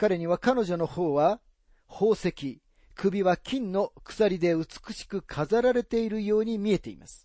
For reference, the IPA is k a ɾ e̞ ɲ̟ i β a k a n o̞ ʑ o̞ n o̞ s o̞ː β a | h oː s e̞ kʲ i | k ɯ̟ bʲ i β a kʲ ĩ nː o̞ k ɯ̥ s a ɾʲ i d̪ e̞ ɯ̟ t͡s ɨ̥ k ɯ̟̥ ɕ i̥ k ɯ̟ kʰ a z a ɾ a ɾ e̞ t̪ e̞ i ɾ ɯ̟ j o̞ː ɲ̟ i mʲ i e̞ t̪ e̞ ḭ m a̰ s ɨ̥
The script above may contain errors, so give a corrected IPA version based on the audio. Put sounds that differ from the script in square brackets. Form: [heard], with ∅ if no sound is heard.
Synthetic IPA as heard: k a ɾ e̞ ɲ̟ i β a k a n o̞ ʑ o̞ n o̞ [h] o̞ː β a | h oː s e̞ kʲ i | k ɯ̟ bʲ i β a kʲ ĩ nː o̞ k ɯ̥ s a ɾʲ i d̪ e̞ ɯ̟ t͡s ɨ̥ k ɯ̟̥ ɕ i̥ k ɯ̟ kʰ a z a ɾ a ɾ e̞ t̪ e̞ i ɾ ɯ̟ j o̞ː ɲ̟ i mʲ i e̞ t̪ e̞ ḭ m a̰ s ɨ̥